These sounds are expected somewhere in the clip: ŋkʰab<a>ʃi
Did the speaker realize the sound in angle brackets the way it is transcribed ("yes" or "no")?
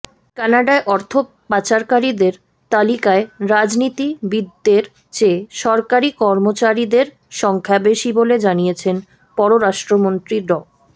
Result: no